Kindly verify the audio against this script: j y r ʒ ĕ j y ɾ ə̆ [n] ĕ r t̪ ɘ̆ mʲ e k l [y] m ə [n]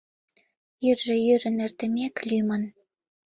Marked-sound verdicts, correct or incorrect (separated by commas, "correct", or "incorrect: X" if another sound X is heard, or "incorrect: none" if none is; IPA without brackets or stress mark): correct, correct, correct